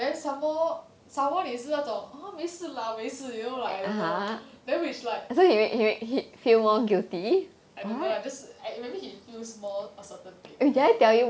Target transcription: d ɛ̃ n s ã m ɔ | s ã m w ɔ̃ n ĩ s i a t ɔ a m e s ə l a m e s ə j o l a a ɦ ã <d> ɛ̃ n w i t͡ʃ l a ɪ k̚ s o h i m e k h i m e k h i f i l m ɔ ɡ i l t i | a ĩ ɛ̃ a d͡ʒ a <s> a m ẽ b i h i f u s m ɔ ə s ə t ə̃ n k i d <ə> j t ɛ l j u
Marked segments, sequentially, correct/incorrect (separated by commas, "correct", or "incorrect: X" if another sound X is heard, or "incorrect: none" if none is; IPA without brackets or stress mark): correct, correct, incorrect: a